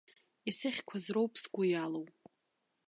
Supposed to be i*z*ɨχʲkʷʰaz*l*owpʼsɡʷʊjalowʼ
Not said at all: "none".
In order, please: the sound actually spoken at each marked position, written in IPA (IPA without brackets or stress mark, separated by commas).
s, r